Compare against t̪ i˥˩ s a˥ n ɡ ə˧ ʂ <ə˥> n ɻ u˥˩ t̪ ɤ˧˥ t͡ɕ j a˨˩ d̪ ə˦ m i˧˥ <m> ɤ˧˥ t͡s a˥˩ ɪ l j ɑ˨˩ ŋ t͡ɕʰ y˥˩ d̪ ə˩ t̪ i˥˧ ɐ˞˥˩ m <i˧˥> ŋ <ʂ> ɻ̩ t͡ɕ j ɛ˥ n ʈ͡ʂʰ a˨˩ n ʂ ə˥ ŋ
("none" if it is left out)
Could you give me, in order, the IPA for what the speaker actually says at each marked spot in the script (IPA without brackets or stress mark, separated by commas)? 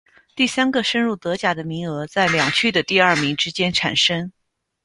ə˥, ŋ, i˧˥, ʈ͡ʂ